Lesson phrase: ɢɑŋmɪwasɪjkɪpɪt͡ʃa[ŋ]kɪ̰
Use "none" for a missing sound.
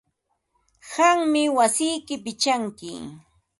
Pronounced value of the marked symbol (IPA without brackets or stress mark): ŋ